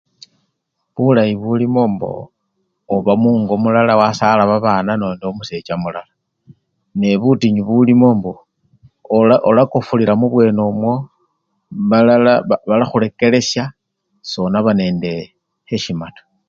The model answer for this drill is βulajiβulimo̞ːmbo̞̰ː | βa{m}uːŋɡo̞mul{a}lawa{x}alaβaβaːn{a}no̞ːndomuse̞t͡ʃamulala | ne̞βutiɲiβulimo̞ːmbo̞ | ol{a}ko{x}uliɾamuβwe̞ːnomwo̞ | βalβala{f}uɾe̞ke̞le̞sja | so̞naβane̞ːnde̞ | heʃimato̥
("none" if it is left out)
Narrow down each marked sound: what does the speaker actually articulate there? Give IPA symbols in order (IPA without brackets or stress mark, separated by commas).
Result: m, a, s, a, a, f, x